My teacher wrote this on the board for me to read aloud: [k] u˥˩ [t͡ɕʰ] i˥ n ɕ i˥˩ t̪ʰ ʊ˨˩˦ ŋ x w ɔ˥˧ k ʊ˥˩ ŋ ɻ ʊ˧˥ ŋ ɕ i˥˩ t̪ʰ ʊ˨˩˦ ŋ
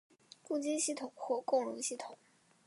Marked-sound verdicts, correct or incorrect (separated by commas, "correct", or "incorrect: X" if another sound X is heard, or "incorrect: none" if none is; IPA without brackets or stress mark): correct, incorrect: t͡ɕ